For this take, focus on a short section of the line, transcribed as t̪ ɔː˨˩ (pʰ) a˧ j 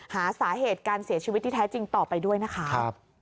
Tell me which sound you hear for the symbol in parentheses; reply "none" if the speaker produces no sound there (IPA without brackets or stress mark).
p